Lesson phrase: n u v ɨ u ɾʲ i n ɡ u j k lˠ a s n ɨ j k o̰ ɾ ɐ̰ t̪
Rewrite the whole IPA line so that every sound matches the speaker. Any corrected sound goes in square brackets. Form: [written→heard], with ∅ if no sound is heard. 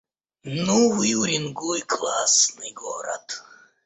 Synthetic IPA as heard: n u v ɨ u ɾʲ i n ɡ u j k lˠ a s n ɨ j [k→ɡ] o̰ ɾ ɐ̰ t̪